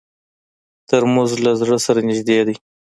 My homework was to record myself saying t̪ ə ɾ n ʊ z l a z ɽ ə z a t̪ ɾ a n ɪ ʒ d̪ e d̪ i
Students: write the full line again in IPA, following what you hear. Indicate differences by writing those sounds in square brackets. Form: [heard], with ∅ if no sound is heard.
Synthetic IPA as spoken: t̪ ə ɾ [m] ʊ z l a z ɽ ə [s] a [∅] ɾ a n ɪ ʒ d̪ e d̪ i